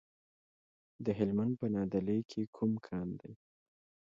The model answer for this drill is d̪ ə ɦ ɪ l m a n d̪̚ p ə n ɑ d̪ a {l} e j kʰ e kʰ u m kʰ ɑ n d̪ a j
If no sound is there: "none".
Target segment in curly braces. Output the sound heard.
l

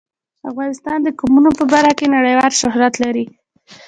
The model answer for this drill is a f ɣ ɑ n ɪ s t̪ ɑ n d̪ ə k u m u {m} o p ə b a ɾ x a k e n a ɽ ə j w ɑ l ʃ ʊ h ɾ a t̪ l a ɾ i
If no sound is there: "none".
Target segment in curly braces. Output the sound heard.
n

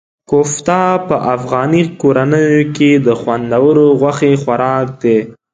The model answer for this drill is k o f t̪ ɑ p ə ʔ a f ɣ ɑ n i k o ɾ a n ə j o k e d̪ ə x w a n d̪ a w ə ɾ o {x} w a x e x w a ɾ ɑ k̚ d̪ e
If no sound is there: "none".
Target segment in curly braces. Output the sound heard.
ɣ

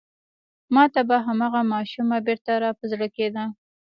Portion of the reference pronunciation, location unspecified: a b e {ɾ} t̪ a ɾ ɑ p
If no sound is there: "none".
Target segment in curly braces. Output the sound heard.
ɾ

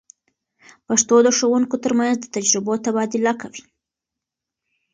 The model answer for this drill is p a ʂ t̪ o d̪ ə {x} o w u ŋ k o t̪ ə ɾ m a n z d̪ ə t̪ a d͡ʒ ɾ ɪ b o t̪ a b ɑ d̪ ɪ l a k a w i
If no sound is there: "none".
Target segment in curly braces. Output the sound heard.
ʂ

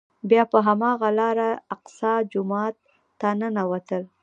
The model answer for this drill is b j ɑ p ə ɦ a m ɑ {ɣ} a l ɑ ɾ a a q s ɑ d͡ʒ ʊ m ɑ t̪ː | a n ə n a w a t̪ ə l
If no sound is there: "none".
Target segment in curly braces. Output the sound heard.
ɣ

